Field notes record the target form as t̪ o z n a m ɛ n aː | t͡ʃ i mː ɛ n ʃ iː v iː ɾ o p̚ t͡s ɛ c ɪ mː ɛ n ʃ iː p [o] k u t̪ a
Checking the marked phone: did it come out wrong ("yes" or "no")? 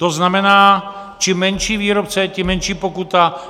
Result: no